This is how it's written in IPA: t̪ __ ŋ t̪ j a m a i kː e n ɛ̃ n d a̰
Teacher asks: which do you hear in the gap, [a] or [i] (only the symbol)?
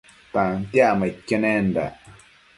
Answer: a